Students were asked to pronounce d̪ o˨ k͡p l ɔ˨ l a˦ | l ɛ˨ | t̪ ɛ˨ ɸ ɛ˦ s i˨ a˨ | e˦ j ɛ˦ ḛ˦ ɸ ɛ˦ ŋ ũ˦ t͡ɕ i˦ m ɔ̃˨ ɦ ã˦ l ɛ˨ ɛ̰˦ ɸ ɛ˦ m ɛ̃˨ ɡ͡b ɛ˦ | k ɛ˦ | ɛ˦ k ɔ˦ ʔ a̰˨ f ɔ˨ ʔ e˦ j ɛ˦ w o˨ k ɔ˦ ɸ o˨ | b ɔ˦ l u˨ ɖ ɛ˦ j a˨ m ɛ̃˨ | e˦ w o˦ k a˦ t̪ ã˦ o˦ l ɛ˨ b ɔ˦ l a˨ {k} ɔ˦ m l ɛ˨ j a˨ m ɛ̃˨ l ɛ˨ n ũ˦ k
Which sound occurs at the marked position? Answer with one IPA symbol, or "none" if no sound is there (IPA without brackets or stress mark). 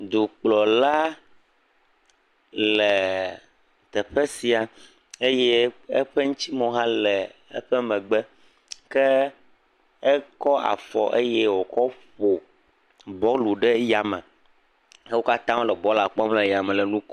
k͡p